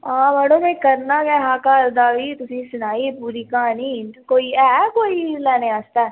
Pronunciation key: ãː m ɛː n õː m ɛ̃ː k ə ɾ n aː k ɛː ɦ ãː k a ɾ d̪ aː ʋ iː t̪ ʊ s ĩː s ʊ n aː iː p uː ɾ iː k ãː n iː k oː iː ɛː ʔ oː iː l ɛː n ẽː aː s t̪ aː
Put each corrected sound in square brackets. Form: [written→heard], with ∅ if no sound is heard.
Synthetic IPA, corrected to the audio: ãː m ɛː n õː m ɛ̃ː k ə ɾ n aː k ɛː ɦ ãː k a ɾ d̪ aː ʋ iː t̪ ʊ s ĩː s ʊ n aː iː p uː ɾ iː k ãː n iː k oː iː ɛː [ʔ→k] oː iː l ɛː n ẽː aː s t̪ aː

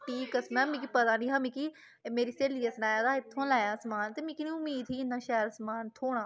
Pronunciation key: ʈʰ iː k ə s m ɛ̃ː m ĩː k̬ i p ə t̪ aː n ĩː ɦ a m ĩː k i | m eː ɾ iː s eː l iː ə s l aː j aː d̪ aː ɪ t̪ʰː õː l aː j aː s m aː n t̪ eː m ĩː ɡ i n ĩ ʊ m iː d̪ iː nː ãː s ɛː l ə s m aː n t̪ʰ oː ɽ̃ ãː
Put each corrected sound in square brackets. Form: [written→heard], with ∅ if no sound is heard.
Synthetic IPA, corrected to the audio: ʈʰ iː k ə s m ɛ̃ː m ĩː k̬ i p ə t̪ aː n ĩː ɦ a m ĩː k i | m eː ɾ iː s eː l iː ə s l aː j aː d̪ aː ɪ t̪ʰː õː l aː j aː s m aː n t̪ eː m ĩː [ɡ→k] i n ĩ ʊ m iː d̪ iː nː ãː [s→ʃ] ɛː [l→ɾ] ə s m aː n t̪ʰ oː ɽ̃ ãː

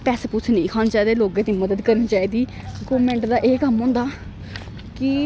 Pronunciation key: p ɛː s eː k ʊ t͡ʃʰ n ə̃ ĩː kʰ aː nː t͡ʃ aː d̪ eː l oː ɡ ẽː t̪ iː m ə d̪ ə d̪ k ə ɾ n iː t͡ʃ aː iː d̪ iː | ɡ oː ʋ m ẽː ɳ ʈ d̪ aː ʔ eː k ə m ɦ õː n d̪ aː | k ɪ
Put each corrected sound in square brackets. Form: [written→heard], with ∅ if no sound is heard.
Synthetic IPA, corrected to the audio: p ɛː s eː [k→p] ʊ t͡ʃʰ n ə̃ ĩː kʰ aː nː t͡ʃ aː d̪ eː l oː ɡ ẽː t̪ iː m ə d̪ ə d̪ k ə ɾ n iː t͡ʃ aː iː d̪ iː | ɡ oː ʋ m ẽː ɳ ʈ d̪ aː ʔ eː k ə m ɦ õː n d̪ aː | k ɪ

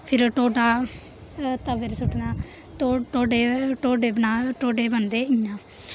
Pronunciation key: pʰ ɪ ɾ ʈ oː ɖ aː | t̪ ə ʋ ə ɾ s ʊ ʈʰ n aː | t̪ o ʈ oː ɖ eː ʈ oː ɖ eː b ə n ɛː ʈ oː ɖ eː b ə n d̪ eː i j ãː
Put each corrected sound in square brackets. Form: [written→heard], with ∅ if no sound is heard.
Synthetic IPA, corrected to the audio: pʰ ɪ ɾ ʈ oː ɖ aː | t̪ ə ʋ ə ɾ s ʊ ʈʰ n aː | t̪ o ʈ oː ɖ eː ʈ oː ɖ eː b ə n [ɛː→aː] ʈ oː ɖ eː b ə n d̪ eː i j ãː

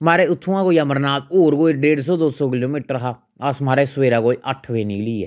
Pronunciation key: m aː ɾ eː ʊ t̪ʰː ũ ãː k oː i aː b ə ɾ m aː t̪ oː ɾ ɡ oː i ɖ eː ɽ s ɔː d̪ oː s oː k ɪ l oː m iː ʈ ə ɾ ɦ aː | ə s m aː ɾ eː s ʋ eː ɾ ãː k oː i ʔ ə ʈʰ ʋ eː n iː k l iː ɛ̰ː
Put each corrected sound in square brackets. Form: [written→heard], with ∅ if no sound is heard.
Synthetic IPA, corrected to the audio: m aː ɾ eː ʊ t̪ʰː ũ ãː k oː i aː [b→m] ə ɾ [m→n] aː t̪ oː ɾ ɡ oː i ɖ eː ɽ s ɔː d̪ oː s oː k ɪ l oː m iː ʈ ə ɾ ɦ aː | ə s m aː ɾ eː s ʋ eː ɾ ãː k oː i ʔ ə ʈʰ ʋ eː n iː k l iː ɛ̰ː

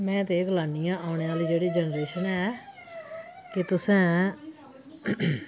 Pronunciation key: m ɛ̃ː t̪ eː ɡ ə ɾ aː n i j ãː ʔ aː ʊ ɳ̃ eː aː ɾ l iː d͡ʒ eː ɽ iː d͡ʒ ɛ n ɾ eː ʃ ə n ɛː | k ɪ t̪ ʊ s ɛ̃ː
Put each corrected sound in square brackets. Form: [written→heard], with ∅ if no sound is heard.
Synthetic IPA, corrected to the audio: m ɛ̃ː t̪ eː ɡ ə [ɾ→l] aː n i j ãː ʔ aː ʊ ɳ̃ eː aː [ɾ→∅] l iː d͡ʒ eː ɽ iː d͡ʒ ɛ n ɾ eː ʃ ə n ɛː | k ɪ t̪ ʊ s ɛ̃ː

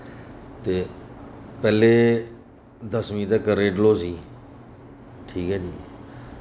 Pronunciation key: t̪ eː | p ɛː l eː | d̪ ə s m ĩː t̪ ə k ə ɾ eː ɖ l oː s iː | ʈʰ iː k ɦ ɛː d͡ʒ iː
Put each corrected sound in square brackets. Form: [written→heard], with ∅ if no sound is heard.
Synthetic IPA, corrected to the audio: t̪ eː | p ɛː l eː | d̪ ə s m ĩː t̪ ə k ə ɾ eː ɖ l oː s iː | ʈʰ iː k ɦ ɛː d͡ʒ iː

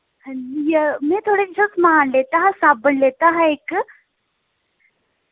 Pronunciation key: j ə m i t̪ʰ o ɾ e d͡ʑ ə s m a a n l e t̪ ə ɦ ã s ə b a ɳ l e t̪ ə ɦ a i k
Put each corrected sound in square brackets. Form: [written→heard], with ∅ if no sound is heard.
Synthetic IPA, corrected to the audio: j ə m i t̪ʰ o [ɾ→ɽ] e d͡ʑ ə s m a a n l e t̪ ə ɦ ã s [ə→a] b [a→ə] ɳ l e t̪ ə ɦ a [i→e] k

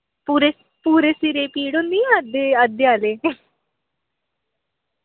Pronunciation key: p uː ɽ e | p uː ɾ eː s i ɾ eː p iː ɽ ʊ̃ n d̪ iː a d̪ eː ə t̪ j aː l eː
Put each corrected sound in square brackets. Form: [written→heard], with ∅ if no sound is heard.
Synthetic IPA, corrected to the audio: p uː [ɽ→ɾ] e | p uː ɾ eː s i ɾ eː p iː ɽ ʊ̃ n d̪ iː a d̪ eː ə [t̪→d̪] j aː l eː

